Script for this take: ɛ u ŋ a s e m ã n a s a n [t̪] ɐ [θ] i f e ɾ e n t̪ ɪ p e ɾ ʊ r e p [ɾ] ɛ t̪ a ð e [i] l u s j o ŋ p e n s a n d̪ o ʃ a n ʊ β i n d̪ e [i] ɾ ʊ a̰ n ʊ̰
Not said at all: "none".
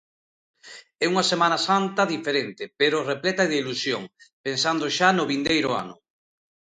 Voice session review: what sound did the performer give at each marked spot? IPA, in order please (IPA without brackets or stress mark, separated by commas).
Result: t̪, ð, l, i, j